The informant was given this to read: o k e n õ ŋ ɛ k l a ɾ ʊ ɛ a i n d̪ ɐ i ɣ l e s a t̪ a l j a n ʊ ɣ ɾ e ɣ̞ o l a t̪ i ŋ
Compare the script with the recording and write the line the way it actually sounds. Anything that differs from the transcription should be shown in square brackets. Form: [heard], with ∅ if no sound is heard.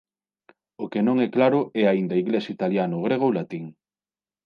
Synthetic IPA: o k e n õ ŋ ɛ k l a ɾ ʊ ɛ a i n d̪ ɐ i ɣ l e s [i] t̪ a l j a n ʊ ɣ ɾ e ɣ̞ o l a t̪ i ŋ